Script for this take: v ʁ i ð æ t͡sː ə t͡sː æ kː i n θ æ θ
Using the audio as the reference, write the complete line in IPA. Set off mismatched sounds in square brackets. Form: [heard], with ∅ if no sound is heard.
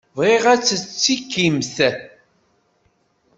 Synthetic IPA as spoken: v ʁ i [ʁ] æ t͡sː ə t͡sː [i] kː i [m] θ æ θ